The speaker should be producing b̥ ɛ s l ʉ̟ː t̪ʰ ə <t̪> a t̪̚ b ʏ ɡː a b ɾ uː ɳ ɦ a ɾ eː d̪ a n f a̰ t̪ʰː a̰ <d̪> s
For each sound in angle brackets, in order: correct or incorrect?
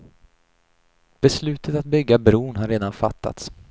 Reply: correct, incorrect: t̪

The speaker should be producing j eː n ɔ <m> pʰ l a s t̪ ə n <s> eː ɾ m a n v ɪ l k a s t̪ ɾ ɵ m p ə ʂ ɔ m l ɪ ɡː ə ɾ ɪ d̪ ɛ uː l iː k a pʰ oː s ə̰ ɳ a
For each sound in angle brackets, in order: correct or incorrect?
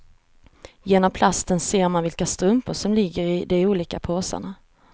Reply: correct, correct

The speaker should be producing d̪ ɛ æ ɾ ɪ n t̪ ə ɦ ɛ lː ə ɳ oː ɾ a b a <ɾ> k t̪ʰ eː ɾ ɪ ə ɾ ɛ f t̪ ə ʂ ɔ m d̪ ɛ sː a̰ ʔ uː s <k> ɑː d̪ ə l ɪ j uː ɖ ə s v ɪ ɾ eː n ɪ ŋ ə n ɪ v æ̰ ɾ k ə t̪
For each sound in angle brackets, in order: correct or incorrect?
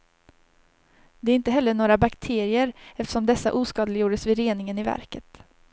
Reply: incorrect: none, correct

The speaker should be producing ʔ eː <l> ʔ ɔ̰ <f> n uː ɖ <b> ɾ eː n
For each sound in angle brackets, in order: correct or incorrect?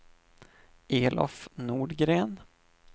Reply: correct, correct, incorrect: ɡ

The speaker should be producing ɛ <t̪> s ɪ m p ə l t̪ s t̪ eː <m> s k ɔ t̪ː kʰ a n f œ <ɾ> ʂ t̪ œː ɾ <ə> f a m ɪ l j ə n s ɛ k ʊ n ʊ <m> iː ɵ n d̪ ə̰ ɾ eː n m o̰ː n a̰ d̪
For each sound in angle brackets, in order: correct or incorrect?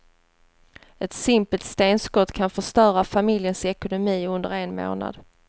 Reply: correct, incorrect: n, incorrect: none, incorrect: a, correct

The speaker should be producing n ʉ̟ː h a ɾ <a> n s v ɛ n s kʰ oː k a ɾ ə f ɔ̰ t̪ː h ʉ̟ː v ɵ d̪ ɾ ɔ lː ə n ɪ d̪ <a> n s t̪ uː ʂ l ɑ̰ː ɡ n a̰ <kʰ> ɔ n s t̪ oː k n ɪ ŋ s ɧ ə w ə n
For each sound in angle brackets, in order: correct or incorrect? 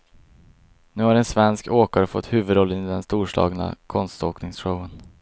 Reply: incorrect: ɛ, incorrect: ɛ, correct

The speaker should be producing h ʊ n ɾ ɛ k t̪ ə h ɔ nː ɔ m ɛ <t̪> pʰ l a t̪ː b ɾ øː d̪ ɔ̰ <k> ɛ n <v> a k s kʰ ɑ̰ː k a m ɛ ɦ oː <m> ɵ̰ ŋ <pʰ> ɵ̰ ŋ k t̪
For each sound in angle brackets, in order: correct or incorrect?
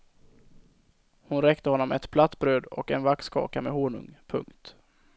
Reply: correct, correct, correct, incorrect: ɳ, correct

